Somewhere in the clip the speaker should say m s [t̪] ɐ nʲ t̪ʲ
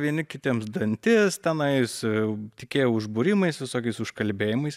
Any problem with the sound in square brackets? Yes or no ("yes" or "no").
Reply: yes